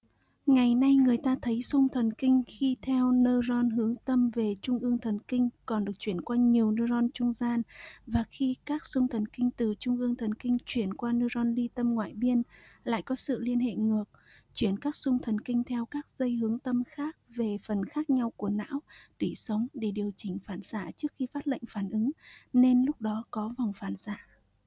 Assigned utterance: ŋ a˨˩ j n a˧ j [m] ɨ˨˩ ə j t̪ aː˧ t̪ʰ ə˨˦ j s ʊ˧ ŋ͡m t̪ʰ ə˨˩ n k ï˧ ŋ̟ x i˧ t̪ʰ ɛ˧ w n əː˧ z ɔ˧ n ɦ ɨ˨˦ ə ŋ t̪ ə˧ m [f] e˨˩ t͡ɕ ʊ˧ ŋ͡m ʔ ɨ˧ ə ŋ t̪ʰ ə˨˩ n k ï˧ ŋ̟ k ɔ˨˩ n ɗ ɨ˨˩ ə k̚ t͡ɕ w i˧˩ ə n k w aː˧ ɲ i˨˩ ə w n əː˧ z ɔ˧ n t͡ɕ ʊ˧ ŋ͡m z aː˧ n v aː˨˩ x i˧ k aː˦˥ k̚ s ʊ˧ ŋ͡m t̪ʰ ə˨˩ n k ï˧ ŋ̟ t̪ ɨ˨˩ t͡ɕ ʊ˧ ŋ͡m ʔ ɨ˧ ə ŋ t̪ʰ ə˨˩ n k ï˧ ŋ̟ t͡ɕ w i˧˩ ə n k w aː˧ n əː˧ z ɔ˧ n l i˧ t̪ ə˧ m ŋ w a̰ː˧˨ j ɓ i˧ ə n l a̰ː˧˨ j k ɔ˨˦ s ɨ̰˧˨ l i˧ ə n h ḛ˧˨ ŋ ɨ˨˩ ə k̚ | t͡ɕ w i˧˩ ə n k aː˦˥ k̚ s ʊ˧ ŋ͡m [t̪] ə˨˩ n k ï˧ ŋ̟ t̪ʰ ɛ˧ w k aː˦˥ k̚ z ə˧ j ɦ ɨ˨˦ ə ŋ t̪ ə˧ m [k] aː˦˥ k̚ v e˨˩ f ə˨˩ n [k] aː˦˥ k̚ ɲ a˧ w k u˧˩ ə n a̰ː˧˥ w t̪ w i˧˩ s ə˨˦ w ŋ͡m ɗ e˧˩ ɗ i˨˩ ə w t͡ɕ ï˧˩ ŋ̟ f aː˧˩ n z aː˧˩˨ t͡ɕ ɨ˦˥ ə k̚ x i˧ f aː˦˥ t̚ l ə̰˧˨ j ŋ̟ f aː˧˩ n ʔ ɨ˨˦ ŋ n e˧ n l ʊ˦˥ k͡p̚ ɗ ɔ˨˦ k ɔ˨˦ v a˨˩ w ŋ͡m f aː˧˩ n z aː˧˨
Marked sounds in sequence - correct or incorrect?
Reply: incorrect: ŋ, incorrect: v, incorrect: t̪ʰ, incorrect: x, incorrect: x

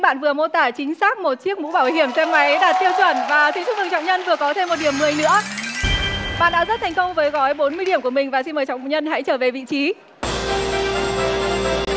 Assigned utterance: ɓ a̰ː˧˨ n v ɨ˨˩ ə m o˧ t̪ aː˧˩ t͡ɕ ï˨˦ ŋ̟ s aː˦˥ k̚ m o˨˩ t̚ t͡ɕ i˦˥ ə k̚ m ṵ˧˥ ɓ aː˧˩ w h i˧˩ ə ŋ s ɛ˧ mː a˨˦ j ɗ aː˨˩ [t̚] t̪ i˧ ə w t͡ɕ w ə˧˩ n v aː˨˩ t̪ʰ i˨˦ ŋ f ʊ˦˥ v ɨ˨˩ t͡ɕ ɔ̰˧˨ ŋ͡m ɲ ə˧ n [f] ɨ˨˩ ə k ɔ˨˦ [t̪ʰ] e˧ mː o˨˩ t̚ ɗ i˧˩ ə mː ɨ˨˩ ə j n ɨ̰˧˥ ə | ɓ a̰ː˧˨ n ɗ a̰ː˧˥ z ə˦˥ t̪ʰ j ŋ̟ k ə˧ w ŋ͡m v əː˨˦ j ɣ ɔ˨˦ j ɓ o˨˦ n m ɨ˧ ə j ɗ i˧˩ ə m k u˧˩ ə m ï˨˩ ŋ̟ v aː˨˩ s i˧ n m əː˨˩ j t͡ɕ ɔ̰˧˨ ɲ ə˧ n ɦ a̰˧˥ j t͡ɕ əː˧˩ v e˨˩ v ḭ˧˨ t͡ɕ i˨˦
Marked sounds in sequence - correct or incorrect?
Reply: correct, incorrect: v, correct

